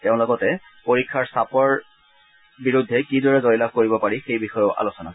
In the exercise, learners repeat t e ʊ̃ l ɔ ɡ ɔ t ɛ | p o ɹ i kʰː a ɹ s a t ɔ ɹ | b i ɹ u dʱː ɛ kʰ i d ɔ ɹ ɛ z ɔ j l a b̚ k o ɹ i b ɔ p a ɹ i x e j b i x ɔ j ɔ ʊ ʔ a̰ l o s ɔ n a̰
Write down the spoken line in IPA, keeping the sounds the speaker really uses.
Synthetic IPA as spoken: t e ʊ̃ l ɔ ɡ ɔ t ɛ | p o ɹ i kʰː a ɹ s a p ɔ ɹ | b i ɹ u dʱː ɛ k i d ɔ ɹ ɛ z ɔ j l a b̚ k o ɹ i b ɔ p a ɹ i x e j b i x ɔ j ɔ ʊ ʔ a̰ l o s ɔ n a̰